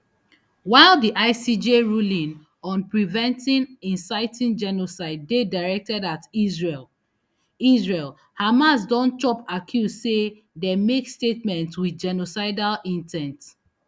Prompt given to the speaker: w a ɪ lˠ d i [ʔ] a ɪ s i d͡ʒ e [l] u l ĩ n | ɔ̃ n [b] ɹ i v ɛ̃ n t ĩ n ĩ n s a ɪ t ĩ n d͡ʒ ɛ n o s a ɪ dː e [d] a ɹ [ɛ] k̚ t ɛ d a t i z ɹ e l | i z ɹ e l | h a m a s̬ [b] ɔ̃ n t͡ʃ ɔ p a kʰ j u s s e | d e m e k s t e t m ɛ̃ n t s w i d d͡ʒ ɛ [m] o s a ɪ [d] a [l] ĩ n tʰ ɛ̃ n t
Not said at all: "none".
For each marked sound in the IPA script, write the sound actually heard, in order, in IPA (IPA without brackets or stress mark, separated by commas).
ʔ, ɹ, p, d, ɛ, d, n, d, l